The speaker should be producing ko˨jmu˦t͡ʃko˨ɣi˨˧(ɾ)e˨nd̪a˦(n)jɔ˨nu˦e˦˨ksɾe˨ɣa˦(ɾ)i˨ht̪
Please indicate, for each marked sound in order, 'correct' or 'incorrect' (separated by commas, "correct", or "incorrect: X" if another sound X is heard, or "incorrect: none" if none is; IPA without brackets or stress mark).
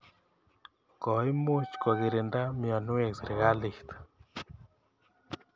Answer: correct, incorrect: m, incorrect: l